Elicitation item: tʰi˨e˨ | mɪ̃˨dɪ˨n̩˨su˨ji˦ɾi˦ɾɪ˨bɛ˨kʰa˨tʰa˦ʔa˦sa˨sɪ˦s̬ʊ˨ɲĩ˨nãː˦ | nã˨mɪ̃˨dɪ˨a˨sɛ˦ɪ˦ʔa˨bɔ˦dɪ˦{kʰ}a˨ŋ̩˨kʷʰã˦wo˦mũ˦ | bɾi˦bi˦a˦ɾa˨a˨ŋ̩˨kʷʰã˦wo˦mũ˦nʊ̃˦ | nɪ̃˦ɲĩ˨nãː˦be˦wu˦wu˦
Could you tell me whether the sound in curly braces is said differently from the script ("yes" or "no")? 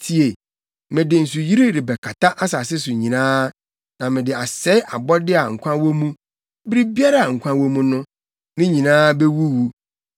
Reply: yes